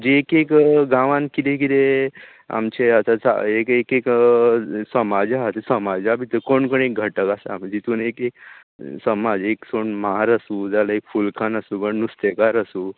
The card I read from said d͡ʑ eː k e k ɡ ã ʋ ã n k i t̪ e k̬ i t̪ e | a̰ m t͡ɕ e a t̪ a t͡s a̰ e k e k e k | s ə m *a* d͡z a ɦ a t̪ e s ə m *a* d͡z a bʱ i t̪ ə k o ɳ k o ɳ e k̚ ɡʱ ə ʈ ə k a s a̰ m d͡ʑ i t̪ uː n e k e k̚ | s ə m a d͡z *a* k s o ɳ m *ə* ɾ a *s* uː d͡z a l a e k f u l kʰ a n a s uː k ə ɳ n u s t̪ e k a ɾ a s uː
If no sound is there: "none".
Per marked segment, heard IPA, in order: a, a, e, a, s

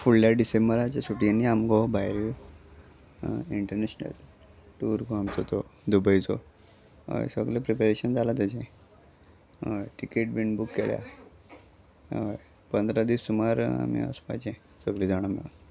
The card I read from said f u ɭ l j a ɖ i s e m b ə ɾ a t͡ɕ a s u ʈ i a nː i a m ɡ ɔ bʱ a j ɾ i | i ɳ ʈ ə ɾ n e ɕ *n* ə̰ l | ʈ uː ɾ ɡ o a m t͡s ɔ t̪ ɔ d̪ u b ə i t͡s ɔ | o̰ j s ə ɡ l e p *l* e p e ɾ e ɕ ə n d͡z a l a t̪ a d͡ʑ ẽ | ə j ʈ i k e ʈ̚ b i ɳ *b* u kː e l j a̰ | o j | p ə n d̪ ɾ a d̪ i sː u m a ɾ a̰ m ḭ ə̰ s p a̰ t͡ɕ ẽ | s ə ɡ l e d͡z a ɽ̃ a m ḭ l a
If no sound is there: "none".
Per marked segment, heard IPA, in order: n, ɾ, b

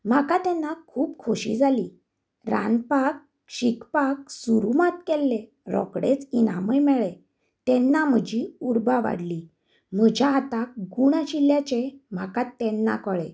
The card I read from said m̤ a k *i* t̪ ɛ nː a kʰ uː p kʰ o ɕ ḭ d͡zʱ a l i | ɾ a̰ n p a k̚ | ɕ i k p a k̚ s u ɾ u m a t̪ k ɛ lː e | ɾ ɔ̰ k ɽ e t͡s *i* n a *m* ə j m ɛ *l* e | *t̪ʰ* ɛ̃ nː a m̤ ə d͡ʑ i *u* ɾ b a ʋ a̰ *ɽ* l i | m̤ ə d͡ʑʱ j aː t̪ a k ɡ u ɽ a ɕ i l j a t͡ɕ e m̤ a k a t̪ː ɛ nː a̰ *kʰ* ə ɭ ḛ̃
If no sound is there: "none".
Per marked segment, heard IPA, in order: a, i, m, ɭ, t̪, u, ɽ, k

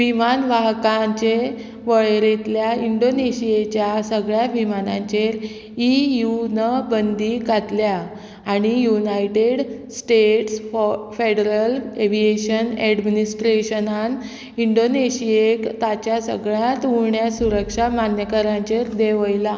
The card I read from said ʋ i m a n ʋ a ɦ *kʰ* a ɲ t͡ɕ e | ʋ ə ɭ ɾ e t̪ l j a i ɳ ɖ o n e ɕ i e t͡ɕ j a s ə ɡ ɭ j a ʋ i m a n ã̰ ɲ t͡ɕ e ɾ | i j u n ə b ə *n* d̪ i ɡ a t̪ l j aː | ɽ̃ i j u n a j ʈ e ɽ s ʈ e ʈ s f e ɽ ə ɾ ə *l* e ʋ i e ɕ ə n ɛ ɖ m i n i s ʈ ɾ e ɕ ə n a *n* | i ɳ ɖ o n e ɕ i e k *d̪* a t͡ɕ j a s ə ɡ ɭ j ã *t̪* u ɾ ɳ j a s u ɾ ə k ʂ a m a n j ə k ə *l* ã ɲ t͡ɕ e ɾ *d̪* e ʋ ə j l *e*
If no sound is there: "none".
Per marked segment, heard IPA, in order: k, n, l, n, t̪, t̪, ɾ, d̪, a

